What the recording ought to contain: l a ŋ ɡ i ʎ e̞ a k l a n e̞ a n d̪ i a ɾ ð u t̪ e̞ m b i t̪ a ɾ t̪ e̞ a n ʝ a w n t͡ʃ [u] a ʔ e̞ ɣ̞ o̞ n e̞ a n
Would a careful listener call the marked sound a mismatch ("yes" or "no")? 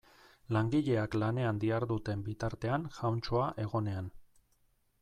yes